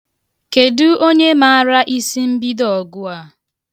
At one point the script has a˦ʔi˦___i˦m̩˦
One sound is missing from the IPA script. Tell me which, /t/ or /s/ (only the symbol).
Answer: s